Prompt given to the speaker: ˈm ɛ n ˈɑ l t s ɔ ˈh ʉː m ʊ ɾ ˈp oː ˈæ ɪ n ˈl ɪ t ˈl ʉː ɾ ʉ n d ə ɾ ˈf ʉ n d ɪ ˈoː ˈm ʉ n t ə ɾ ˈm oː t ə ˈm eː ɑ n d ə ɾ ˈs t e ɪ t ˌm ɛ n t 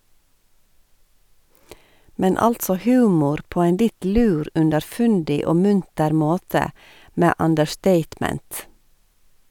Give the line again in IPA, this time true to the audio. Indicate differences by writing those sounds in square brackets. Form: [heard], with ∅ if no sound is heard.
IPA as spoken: ˈm ɛ n ˈɑ l t s ɔ ˈh ʉː m ʊ ɾ ˈp oː ˈæ ɪ n ˈl ɪ t ˈl ʉː ɾ ʉ n d ə ɾ ˈf ʉ n d ɪ ˈoː ˈm ʉ n t ə ɾ ˈm oː t ə ˈm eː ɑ n d ə [ɹ] ˈs t e ɪ t ˌm ɛ n t